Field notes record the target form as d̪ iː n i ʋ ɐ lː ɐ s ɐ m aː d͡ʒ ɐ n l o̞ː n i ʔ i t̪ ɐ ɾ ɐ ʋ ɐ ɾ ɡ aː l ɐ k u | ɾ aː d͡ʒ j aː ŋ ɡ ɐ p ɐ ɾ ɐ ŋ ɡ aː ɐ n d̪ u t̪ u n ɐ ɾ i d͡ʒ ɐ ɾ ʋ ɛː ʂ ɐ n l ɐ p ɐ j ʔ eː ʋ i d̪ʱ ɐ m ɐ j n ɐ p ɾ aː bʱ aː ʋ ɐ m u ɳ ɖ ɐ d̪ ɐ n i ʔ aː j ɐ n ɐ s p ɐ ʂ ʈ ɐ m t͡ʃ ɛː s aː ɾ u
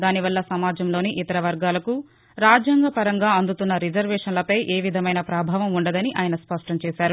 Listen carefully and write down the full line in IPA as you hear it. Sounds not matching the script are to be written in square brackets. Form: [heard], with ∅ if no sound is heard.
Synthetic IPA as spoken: d̪ [aː] n i ʋ ɐ lː ɐ s ɐ m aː d͡ʒ ɐ [m] l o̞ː n i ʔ i t̪ ɐ ɾ ɐ ʋ ɐ ɾ ɡ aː l ɐ k u | ɾ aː d͡ʒ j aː ŋ ɡ ɐ p ɐ ɾ ɐ ŋ ɡ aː ɐ n d̪ u t̪ u [nː] ɐ ɾ i d͡ʒ ɐ ɾ ʋ ɛː ʂ ɐ n l ɐ p ɐ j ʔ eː ʋ i d̪ʱ ɐ m ɐ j n ɐ p ɾ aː bʱ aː ʋ ɐ m u ɳ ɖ ɐ d̪ ɐ n i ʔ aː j ɐ n ɐ s p ɐ ʂ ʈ ɐ m t͡ʃ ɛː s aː ɾ u